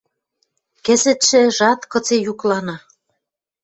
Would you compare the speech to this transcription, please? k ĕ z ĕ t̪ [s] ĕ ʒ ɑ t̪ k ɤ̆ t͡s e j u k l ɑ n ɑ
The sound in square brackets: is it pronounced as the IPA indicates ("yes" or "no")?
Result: no